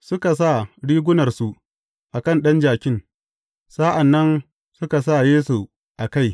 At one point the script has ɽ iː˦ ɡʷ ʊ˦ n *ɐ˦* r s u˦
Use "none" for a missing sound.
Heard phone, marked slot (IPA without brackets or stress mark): ɐ˨